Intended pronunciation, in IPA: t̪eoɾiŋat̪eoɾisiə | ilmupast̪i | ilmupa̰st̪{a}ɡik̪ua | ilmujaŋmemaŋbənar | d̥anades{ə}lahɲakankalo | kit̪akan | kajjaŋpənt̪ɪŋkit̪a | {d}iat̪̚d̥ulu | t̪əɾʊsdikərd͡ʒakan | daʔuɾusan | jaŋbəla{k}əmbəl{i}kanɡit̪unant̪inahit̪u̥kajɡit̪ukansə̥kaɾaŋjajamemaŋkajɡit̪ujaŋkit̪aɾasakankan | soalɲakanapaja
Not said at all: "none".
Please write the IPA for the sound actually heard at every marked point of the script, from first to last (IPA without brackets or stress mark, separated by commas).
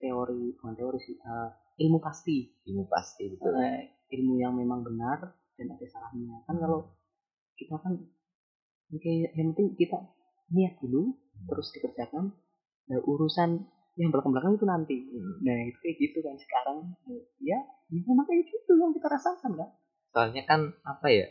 i, a, n, k, a